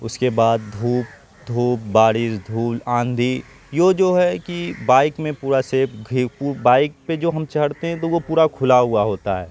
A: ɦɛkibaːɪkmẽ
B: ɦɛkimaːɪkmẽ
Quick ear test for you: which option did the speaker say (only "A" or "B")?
A